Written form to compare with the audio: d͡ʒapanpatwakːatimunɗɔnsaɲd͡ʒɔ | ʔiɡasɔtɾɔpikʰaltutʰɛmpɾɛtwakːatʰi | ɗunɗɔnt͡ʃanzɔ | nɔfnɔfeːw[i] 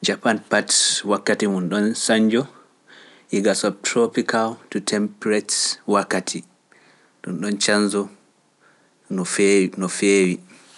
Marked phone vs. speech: correct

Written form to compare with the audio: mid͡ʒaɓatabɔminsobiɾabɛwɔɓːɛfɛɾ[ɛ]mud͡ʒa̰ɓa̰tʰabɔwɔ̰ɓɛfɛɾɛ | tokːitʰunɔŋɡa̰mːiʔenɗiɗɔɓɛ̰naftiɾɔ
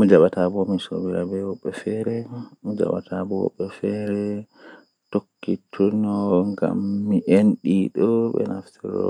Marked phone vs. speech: correct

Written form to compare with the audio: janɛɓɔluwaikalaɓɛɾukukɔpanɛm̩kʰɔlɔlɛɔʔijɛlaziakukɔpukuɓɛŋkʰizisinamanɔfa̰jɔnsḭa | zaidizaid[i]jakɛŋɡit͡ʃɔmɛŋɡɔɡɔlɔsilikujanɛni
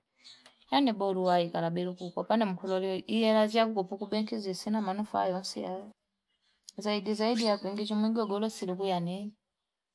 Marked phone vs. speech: correct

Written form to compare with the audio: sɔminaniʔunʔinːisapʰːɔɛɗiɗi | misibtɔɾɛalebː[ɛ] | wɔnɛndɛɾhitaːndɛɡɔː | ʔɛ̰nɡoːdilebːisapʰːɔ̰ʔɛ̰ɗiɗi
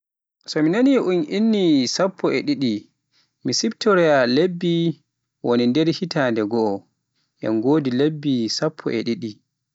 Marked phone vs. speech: incorrect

